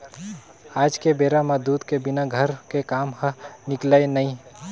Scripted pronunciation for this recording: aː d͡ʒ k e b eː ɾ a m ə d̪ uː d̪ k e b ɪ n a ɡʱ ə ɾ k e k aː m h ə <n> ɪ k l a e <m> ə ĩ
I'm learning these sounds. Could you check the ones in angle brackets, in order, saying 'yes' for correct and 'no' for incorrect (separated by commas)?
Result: yes, no